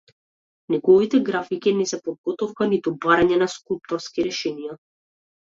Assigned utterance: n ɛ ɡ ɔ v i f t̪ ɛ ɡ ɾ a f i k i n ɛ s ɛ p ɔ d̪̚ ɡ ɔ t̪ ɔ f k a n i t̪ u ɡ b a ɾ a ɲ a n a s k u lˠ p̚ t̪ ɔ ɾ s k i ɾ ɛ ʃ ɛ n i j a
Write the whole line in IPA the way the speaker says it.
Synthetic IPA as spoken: n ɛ ɡ ɔ v i t̪ ɛ ɡ ɾ a f i k i n ɛ s ɛ p ɔ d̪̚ ɡ ɔ t̪ ɔ f k a n i t̪ u b a ɾ a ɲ ɛ n a s k u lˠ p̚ t̪ ɔ ɾ s k i ɾ ɛ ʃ ɛ n i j a